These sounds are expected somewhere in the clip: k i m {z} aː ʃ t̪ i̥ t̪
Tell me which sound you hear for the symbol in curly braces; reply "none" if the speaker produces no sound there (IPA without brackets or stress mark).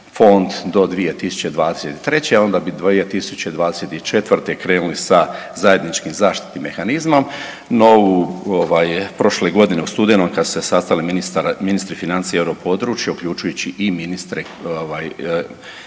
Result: z